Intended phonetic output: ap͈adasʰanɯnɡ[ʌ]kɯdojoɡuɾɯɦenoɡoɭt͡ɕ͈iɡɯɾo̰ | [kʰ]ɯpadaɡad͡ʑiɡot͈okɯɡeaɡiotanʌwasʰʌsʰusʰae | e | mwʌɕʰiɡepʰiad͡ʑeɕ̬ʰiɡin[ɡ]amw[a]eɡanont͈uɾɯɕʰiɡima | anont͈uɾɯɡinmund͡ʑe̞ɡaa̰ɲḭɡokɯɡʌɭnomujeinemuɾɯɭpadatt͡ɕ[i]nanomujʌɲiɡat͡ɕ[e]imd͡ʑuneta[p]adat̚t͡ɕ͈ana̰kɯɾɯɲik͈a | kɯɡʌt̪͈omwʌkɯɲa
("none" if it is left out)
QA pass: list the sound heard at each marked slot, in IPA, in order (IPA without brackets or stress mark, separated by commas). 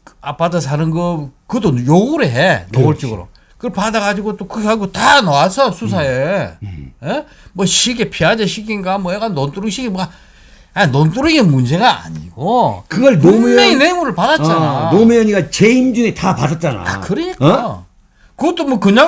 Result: ʌ, k, ɡ, ʌ, a, e, p